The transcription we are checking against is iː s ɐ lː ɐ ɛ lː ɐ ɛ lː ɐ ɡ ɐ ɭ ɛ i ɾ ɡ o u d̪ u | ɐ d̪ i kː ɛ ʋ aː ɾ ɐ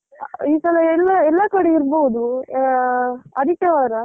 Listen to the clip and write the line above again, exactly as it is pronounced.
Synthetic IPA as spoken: iː s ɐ l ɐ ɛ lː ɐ ɛ lː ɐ k ɐ ɽ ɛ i ɾ b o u d̪ u | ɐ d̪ i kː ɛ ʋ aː ɾ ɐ

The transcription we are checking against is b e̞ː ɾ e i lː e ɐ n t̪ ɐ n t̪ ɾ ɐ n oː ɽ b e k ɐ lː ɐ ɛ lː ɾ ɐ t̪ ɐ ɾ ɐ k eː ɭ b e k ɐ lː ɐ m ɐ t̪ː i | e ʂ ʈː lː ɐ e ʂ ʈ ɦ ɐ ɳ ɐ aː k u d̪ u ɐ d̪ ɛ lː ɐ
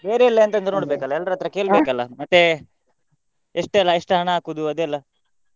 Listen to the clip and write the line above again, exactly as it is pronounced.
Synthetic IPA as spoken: b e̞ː ɾ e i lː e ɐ n t̪ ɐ n d̪ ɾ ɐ n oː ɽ b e k ɐ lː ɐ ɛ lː ɾ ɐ t̪ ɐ ɾ ɐ k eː ɭ b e k ɐ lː ɐ m ɐ t̪ː e | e ʂ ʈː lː ɐ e ʂ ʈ ɦ ɐ ɳ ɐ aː k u d̪ u ɐ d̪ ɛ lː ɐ

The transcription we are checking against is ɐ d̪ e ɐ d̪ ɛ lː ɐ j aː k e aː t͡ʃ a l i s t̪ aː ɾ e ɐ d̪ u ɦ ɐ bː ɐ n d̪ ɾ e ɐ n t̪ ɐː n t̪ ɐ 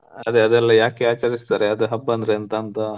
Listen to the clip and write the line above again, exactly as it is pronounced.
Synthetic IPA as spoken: ɐ d̪ e ɐ d̪ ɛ lː ɐ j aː k e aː t͡ʃ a ɾ i s t̪ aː ɾ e ɐ d̪ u ɦ ɐ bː ɐ n d̪ ɾ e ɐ n t̪ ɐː n t̪ ɐ

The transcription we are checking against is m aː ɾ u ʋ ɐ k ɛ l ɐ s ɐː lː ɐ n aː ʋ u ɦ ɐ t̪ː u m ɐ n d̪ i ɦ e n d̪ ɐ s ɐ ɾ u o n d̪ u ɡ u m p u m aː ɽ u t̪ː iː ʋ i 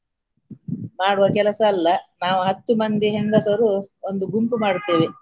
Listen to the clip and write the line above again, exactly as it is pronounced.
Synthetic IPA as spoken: m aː ɽ u ʋ ɐ k ɛ l ɐ s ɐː lː ɐ n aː ʋ u ɦ ɐ t̪ː u m ɐ n d̪ i ɦ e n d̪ ɐ s ɐ ɾ u o n d̪ u ɡ u m p u m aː ɽ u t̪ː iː ʋ i

